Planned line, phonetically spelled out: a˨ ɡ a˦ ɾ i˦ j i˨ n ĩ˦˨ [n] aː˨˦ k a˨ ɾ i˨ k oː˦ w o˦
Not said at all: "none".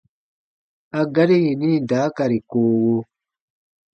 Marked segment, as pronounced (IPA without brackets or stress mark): d